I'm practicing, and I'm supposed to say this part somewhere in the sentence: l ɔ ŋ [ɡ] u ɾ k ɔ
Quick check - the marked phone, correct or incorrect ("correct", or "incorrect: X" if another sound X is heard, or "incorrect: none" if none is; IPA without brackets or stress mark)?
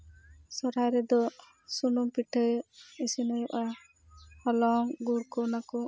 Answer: correct